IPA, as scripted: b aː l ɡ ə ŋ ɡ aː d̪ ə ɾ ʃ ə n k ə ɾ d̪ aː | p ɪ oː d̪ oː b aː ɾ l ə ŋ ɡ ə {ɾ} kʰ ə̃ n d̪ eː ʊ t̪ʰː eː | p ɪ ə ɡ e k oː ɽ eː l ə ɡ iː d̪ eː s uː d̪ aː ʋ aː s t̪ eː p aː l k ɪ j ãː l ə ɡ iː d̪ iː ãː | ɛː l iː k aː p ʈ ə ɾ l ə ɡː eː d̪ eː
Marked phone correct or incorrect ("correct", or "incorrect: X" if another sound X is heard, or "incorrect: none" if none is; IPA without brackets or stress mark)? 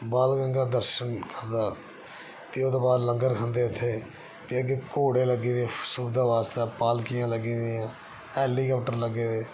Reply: correct